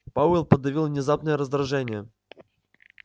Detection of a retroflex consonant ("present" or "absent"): present